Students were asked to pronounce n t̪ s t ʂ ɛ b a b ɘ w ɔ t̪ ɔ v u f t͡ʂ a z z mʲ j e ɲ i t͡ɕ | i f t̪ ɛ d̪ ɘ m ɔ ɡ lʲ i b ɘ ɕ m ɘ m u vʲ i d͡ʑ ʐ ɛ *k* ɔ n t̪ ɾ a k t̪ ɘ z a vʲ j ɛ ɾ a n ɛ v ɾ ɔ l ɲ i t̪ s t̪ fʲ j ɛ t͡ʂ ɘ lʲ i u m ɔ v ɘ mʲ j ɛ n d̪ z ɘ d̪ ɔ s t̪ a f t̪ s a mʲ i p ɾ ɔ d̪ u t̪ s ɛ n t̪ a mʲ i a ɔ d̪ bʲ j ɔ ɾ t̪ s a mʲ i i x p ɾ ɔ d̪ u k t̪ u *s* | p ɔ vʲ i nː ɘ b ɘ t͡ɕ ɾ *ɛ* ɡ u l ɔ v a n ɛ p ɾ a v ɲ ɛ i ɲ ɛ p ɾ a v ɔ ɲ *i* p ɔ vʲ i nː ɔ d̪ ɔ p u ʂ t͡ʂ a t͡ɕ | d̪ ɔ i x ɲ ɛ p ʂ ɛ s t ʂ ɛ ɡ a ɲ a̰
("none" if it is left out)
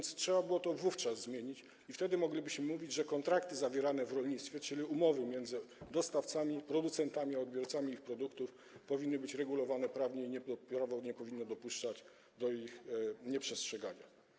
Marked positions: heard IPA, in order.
k, f, ɛ, ɛ

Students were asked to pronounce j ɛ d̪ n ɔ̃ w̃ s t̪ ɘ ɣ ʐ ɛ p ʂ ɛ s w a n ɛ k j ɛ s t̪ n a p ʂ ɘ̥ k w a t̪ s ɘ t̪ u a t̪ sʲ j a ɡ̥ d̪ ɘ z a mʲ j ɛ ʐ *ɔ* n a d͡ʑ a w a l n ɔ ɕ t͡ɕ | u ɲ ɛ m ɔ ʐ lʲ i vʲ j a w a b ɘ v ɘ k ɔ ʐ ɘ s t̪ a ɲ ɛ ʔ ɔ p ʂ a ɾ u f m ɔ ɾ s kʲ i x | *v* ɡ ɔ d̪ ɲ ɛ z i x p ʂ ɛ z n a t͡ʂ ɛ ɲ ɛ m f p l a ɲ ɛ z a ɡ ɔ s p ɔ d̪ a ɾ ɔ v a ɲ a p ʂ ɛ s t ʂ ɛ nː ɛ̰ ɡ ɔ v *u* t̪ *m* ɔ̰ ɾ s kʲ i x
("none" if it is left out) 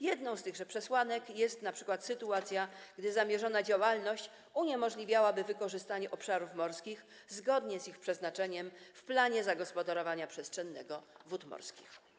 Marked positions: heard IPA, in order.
ɔ, z, u, m

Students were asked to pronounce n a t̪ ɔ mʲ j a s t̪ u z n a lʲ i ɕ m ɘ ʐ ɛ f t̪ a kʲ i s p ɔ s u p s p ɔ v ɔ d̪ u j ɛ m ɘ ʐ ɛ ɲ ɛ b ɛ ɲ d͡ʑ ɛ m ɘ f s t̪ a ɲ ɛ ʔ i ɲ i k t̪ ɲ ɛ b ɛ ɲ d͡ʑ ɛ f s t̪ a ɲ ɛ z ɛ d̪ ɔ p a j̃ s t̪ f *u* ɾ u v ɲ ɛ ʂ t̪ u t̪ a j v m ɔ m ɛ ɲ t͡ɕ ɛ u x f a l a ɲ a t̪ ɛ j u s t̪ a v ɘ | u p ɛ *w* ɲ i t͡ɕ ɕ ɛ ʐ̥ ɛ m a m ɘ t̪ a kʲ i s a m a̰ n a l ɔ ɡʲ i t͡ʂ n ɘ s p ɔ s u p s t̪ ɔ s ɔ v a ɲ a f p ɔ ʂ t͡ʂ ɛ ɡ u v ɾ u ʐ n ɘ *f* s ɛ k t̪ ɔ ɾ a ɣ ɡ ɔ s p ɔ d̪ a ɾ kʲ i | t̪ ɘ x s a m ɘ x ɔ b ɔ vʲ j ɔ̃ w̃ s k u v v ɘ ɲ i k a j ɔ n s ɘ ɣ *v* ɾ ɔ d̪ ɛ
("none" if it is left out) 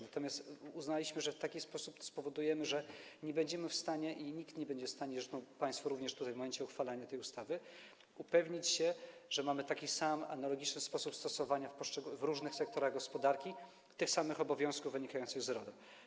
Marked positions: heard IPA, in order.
ɔ, v, x, z

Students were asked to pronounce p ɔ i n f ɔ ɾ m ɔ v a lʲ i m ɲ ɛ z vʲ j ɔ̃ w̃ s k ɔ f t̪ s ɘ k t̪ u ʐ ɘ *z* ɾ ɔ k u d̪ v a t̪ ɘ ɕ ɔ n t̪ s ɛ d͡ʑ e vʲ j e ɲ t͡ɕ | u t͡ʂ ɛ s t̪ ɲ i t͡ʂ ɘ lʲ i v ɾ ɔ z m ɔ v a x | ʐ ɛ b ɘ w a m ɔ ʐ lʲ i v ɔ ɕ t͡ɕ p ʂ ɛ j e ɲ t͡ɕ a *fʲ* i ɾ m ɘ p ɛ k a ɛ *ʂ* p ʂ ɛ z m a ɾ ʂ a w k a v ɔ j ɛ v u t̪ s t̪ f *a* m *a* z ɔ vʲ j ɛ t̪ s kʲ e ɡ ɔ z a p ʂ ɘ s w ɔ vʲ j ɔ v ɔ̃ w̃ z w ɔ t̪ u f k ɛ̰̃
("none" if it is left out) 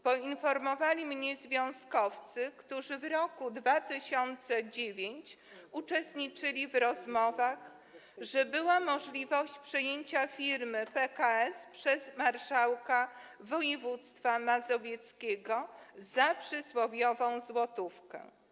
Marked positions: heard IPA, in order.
v, fʲ, s, a, a

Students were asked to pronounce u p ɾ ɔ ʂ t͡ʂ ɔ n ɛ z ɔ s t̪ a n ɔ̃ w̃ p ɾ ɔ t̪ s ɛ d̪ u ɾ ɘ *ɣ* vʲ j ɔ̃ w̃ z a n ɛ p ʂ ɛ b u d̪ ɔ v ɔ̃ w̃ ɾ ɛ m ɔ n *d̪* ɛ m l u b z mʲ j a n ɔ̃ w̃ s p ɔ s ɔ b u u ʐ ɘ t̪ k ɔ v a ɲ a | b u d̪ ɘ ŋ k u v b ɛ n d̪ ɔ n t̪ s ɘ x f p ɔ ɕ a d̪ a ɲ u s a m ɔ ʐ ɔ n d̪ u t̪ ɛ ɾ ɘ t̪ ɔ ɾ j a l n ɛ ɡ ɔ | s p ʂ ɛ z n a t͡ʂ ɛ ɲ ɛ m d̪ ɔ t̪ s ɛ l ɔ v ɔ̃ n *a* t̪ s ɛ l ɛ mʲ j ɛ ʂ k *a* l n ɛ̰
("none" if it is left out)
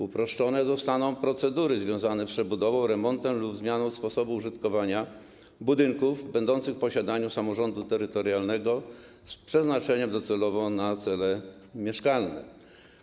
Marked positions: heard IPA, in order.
z, t̪, a, a

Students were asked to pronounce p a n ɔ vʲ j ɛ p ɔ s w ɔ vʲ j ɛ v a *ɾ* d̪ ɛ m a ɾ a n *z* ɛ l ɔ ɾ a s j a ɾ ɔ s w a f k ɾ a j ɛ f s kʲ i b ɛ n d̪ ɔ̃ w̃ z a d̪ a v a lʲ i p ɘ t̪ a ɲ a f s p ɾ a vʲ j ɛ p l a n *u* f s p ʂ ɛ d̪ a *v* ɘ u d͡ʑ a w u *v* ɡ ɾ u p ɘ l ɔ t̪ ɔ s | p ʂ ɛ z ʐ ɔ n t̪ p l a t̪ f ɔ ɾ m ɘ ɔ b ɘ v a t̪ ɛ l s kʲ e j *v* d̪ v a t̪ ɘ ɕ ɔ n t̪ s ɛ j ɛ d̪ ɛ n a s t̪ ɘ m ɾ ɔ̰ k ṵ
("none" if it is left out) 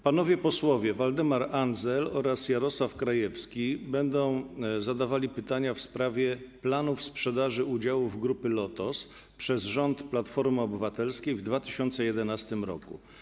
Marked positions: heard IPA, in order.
l, z, u, ʐ, v, v

